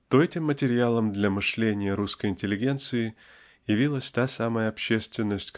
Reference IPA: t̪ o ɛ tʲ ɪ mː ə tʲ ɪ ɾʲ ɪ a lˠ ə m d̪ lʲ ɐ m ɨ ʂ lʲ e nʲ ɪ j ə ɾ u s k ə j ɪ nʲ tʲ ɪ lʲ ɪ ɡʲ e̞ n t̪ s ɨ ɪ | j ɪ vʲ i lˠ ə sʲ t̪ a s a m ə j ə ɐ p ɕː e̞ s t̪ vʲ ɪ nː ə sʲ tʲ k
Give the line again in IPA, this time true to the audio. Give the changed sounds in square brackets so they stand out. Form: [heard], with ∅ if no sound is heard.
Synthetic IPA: t̪ o ɛ tʲ ɪ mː ə tʲ ɪ ɾʲ ɪ a lˠ ə m d̪ lʲ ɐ m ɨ ʂ lʲ e nʲ ɪ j ə ɾ u s k ə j ɪ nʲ tʲ ɪ lʲ ɪ ɡʲ e̞ n t̪ s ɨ ɪ | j ɪ vʲ i lˠ ə sʲ t̪ a s a m ə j ə ɐ p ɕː e̞ s t̪ vʲ ɪ nː ə sʲ tʲ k